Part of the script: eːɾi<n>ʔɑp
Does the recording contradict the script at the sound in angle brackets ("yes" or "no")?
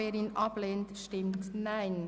no